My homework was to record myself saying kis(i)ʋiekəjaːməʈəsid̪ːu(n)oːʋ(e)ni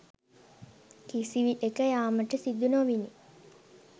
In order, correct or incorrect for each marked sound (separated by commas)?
correct, correct, incorrect